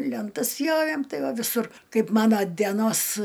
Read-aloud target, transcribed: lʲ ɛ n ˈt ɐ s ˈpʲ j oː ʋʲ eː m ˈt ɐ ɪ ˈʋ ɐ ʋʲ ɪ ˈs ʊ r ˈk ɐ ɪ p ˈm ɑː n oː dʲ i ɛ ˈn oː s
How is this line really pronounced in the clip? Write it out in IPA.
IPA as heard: lʲ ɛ n ˈt ɐ s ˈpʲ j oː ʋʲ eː m ˈt ɐ ɪ ˈʋ ɐ ʋʲ ɪ ˈs ʊ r ˈk ɐ ɪ p ˈm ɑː n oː dʲ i ɛ ˈn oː s